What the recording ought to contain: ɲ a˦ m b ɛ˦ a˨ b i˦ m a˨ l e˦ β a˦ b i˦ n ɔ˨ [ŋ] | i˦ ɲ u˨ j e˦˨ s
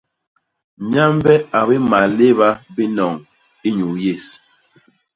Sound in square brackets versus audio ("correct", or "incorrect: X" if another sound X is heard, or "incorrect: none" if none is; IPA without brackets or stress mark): correct